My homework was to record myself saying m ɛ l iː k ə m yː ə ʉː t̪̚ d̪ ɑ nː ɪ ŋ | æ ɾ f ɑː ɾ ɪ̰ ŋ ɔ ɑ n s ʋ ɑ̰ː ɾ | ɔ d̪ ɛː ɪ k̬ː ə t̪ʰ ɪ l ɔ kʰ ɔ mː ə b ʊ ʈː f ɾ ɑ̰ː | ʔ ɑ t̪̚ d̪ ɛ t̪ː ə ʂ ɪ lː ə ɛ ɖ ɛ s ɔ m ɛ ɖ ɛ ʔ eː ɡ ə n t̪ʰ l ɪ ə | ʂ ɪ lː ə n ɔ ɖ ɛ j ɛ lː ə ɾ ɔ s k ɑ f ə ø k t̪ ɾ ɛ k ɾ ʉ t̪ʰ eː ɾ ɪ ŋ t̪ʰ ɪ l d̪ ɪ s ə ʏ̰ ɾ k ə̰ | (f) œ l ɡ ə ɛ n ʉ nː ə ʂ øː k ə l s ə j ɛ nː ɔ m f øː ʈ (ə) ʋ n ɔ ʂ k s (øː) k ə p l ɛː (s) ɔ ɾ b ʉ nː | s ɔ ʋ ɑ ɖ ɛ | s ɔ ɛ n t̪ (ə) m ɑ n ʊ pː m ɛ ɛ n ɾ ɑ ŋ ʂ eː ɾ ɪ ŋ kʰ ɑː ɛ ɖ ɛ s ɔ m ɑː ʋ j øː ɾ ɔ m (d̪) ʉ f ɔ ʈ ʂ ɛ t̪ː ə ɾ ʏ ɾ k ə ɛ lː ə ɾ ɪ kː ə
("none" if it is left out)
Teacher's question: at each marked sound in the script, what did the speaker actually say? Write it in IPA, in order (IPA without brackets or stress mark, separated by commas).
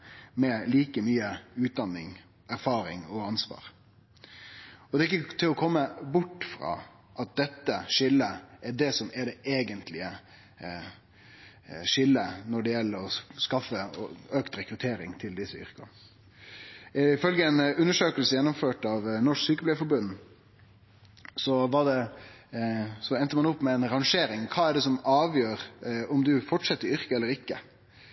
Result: f, ɑ, yː, f, ə, d̪